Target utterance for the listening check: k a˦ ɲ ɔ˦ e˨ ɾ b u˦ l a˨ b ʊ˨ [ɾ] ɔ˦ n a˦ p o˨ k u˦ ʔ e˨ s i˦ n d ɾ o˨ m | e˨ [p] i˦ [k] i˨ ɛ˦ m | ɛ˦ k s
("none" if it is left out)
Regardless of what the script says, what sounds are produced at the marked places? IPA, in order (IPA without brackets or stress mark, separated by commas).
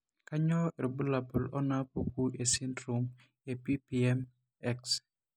l, p, p